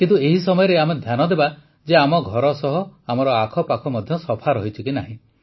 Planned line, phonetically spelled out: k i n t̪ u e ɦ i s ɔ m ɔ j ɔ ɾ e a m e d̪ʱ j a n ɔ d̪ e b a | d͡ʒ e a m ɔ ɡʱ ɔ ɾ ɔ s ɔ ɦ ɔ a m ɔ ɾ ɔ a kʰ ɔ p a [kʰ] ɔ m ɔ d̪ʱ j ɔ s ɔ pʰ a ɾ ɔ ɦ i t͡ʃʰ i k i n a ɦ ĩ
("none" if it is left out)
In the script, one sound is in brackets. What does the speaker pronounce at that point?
kʰ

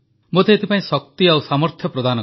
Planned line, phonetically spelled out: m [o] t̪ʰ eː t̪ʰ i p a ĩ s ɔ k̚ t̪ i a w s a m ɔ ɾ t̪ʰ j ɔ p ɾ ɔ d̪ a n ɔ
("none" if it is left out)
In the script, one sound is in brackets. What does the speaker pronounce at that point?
o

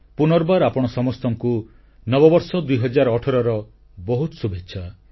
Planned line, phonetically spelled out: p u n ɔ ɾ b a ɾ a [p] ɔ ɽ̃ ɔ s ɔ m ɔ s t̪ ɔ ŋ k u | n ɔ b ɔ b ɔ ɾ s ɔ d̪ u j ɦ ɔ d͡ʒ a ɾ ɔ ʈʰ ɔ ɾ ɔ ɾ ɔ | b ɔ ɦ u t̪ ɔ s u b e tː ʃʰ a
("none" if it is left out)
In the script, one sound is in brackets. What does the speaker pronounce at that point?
p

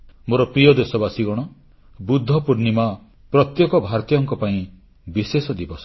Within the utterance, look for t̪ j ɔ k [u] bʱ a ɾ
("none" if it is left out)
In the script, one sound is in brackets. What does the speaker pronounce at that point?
ɔ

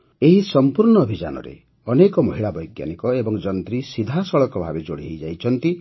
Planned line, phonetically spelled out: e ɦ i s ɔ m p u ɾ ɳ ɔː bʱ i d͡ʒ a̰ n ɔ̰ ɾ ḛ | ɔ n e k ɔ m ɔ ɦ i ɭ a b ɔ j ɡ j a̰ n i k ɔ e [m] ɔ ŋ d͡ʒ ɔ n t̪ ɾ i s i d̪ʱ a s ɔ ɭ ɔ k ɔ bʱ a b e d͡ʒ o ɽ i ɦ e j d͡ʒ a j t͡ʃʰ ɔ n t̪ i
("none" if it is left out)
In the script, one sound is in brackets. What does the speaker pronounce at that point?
b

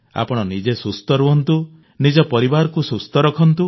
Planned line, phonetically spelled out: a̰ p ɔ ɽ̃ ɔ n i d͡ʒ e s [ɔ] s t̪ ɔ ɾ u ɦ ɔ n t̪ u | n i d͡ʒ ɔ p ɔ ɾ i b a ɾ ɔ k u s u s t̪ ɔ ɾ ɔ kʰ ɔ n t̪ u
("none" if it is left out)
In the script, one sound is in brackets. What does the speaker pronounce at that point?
u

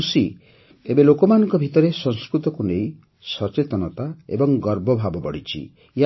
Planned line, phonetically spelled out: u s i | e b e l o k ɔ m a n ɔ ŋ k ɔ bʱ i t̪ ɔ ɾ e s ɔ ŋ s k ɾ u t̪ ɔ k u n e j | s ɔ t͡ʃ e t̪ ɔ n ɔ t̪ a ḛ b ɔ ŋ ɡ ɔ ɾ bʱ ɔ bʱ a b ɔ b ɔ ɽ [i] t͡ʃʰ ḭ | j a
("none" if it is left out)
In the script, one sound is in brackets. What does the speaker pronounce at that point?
i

